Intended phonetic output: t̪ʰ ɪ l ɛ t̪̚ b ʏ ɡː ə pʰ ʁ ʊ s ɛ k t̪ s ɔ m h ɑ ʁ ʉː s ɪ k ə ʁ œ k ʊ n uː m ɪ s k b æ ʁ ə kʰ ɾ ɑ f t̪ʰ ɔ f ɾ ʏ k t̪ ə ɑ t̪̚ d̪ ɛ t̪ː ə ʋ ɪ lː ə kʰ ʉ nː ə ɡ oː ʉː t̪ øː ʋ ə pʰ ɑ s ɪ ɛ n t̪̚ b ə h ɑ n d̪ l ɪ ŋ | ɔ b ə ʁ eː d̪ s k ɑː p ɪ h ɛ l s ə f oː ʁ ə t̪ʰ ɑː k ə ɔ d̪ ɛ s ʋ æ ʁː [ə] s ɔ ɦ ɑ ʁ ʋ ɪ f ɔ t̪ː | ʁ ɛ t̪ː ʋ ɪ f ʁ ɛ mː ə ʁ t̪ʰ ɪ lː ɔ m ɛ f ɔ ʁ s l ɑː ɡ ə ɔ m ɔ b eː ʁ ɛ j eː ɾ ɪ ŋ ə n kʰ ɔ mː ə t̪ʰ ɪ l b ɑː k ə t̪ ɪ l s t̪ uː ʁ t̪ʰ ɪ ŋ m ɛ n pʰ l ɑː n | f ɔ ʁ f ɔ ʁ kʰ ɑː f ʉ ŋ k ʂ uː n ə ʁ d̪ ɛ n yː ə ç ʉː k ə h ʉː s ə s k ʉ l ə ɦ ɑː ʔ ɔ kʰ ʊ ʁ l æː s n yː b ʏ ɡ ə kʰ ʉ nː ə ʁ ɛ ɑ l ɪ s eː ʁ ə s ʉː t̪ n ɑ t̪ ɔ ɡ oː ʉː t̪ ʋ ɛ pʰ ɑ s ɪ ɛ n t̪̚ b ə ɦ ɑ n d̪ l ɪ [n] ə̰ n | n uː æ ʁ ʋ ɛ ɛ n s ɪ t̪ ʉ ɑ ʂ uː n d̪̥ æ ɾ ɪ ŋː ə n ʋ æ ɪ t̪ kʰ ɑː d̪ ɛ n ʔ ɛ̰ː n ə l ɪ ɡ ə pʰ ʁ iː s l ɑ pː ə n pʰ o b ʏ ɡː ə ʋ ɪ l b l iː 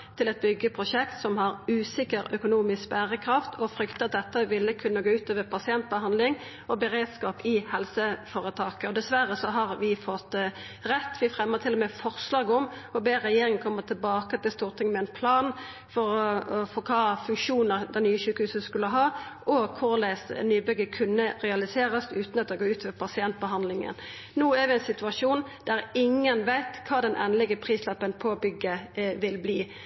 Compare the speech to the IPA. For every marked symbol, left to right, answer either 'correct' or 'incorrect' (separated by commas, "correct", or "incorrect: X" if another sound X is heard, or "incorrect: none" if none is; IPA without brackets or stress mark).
correct, incorrect: ŋ